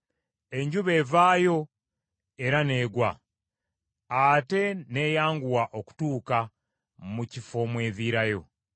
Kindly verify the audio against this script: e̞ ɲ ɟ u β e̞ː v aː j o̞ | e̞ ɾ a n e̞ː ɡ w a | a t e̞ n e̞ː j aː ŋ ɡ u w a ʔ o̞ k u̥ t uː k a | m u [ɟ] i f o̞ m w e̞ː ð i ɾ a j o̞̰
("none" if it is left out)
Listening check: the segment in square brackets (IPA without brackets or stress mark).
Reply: c